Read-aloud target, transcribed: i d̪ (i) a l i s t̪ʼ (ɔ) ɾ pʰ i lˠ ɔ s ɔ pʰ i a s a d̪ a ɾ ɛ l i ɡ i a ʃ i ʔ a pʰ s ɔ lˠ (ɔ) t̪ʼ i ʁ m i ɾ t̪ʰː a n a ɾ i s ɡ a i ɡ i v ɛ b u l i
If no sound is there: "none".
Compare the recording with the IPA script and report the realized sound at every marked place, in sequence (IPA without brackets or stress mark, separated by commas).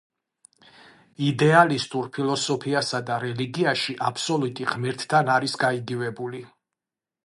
ɛ, u, u